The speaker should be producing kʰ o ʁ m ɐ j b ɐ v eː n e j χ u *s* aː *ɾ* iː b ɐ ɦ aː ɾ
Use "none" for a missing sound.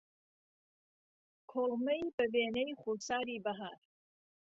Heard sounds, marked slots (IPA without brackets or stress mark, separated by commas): s, ɾ